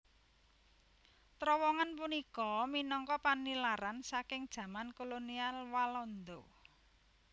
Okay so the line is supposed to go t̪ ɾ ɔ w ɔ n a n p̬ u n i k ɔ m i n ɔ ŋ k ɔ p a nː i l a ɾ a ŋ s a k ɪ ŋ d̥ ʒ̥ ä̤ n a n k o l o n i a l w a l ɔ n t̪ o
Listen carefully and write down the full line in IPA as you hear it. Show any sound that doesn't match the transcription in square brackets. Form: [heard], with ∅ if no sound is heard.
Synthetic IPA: t̪ ɾ ɔ w ɔ [ŋ] a n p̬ u n i k ɔ m i n ɔ ŋ k ɔ p a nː i l a ɾ a [n] s a k ɪ ŋ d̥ ʒ̥ ä̤ [m] a n k o l o n i a l w a l ɔ n [d̪] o